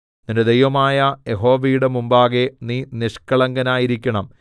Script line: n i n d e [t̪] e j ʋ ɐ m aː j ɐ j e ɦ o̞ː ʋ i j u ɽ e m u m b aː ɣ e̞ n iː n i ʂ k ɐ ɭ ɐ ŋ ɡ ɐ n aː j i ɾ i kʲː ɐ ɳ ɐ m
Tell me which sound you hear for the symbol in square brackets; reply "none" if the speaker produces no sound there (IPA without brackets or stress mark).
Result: d̪